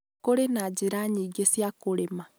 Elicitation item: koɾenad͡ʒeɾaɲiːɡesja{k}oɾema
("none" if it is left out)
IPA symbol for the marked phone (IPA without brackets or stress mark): k